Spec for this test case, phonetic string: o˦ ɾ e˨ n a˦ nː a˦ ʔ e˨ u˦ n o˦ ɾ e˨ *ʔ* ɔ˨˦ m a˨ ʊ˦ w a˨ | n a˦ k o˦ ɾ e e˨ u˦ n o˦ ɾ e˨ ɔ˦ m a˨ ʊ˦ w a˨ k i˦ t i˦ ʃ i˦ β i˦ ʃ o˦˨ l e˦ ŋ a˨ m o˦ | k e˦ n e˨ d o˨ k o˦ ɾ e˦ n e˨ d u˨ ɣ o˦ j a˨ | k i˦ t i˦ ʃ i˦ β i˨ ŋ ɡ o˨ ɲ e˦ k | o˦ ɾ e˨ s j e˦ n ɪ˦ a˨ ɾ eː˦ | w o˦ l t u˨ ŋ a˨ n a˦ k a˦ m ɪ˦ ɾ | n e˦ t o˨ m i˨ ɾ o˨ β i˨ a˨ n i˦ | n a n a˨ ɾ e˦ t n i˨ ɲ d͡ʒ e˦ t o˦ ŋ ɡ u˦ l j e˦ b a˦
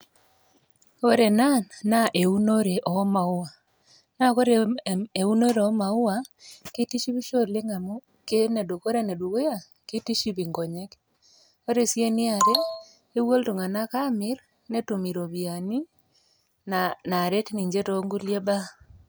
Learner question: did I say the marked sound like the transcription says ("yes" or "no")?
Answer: yes